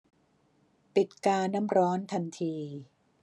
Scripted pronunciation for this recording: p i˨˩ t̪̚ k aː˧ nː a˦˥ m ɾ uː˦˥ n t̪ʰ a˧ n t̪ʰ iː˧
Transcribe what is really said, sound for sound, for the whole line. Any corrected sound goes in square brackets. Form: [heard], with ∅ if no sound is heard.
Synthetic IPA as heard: p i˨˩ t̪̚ k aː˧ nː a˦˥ m ɾ [ɔː˦˥] n t̪ʰ a˧ n t̪ʰ iː˧